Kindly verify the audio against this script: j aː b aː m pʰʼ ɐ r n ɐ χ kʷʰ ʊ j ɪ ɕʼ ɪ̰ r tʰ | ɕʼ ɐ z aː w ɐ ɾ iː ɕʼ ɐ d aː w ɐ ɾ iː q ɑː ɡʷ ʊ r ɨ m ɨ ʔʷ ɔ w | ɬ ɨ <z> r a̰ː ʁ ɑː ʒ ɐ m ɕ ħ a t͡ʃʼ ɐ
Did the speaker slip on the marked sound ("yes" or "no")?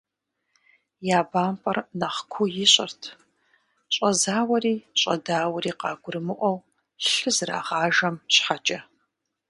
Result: no